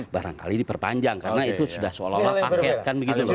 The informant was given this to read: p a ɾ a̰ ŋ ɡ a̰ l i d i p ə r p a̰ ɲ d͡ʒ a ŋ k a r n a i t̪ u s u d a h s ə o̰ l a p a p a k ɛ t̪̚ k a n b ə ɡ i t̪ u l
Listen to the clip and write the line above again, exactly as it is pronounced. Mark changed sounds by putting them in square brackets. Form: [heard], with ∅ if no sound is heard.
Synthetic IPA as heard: [b] a ɾ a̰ ŋ [k] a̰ l i d i p ə r p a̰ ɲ d͡ʒ a ŋ k a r n a i t̪ u s u d a h s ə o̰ l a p a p a k ɛ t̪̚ k a n b ə ɡ i t̪ u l